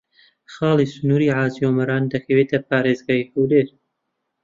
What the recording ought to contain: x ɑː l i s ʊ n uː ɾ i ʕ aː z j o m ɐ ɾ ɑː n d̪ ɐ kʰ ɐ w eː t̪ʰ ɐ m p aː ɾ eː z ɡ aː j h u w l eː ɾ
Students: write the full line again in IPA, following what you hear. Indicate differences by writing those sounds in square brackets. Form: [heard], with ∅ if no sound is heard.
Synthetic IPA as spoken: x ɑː l i s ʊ n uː ɾ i ʕ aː z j o m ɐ ɾ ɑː n d̪ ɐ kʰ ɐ w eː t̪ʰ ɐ [∅] p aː ɾ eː z ɡ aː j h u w l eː ɾ